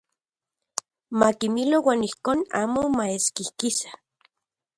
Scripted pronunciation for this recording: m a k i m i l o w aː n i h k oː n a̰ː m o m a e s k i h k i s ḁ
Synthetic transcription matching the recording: m a k i m i l o w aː n i h k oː n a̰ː m o m a e s k i h k i s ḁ